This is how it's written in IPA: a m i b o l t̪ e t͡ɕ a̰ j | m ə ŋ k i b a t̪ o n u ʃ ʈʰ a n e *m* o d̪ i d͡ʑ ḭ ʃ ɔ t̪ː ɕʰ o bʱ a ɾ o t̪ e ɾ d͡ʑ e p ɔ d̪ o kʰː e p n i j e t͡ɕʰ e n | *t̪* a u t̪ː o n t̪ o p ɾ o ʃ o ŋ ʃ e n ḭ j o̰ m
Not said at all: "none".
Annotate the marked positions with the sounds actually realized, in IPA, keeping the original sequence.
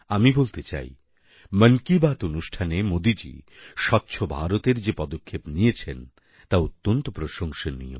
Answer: m, t̪

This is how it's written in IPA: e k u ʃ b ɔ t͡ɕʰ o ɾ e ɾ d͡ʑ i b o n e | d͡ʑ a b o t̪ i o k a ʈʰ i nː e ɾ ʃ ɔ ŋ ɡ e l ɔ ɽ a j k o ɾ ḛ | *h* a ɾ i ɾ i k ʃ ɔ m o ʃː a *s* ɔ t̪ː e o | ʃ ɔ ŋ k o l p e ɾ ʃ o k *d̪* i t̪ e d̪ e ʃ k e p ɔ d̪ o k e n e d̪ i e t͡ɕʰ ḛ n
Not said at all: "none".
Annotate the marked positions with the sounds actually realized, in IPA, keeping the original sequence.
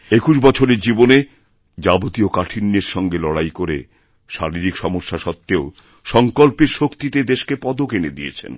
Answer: ʃ, ʃ, t̪

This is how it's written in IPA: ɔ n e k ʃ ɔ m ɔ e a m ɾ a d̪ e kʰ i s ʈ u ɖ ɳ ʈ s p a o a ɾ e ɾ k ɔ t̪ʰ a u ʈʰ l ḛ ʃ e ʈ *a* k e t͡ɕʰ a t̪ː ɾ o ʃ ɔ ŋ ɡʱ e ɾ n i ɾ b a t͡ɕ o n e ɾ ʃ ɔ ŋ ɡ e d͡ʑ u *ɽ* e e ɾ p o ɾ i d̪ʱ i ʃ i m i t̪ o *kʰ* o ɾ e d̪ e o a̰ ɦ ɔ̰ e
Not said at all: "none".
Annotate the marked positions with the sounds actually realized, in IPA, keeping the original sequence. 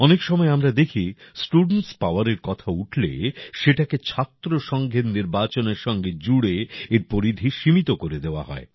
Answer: a, ɽ, k

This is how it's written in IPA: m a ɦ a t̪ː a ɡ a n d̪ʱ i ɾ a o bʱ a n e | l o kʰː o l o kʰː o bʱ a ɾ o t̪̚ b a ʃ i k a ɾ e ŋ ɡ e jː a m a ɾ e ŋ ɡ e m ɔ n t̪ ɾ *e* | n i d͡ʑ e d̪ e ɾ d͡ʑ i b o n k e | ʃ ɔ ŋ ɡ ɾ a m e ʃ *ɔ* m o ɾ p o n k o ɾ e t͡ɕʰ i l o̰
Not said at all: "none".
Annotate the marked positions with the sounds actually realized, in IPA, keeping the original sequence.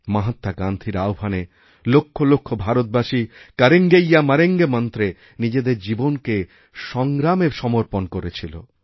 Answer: e, ɔ

